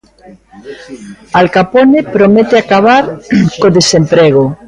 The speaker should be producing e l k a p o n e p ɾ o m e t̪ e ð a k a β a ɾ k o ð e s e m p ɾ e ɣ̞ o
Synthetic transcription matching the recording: a l k a p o n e p ɾ o m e t̪ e a k a β a ɾ k o ð e s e m p ɾ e ɣ̞ o